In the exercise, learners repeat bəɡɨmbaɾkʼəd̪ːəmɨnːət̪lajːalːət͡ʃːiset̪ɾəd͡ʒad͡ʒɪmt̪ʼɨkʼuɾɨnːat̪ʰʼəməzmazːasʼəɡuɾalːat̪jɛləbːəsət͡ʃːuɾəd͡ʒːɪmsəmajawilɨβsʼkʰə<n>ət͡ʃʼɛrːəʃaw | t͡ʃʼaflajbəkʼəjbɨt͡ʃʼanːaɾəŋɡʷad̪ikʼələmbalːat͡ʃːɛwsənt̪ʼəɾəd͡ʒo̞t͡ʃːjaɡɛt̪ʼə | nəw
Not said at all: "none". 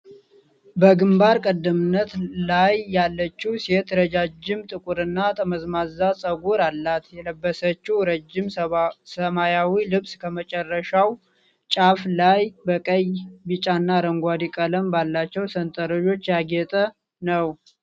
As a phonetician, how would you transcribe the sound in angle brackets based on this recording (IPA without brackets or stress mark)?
m